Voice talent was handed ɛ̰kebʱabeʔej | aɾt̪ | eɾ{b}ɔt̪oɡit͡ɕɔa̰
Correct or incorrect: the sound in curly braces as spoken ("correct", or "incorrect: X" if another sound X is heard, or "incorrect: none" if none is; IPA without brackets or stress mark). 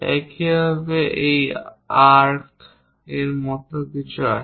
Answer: incorrect: m